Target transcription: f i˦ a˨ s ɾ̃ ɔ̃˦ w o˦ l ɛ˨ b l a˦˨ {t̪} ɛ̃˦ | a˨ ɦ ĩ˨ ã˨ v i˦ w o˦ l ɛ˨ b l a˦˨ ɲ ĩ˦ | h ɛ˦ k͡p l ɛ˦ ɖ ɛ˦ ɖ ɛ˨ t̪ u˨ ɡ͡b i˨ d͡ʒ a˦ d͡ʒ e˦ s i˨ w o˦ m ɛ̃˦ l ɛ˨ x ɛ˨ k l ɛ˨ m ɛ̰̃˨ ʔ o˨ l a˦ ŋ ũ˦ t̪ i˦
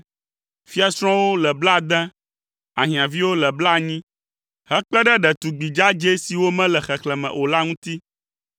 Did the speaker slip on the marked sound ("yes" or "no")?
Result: yes